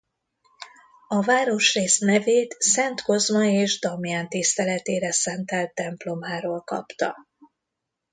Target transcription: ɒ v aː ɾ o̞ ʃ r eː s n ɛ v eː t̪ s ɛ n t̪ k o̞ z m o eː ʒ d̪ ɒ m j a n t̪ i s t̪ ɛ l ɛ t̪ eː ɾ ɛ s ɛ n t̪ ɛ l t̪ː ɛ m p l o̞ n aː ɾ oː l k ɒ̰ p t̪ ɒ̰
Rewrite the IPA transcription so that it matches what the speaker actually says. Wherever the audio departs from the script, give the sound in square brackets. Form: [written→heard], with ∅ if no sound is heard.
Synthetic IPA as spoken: ɒ v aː ɾ o̞ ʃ r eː s n ɛ v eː t̪ s ɛ n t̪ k o̞ z m [o→ɒ] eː ʒ d̪ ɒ m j a n t̪ i s t̪ ɛ l ɛ t̪ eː ɾ ɛ s ɛ n t̪ ɛ l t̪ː ɛ m p l o̞ [n→m] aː ɾ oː l k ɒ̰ p t̪ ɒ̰

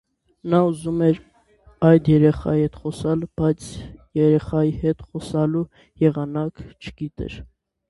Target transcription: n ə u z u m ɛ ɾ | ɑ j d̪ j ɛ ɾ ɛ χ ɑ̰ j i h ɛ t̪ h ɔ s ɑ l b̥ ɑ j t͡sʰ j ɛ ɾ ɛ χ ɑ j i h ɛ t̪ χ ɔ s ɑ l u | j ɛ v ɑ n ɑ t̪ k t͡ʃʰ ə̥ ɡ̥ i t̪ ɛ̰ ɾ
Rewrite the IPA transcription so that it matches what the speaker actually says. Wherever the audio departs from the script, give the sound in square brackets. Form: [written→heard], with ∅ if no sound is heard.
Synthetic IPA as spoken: n [ə→ɑ] u z u m ɛ ɾ | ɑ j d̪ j ɛ ɾ ɛ χ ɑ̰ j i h ɛ t̪ [h→χ] ɔ s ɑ l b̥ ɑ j t͡sʰ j ɛ ɾ ɛ χ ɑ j i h ɛ t̪ χ ɔ s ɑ l u | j ɛ [v→ʁ] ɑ n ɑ [t̪→∅] k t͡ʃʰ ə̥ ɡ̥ i t̪ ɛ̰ ɾ

